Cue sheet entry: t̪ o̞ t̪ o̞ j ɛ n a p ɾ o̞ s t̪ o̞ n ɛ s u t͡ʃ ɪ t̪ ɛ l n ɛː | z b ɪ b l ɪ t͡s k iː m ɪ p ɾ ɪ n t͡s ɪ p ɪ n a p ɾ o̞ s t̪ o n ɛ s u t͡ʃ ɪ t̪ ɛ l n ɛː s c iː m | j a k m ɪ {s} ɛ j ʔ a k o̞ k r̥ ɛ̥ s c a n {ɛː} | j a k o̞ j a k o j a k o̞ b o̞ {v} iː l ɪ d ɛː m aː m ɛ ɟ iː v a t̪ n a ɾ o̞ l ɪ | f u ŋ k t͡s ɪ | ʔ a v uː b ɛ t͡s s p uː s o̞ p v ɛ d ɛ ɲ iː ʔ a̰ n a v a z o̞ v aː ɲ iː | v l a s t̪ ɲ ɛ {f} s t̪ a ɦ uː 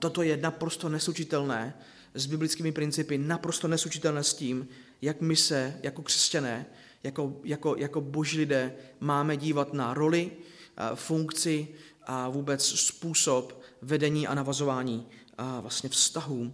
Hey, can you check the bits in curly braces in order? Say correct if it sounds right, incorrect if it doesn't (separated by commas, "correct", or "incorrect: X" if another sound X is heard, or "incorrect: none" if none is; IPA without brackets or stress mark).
correct, correct, incorrect: ʒ, correct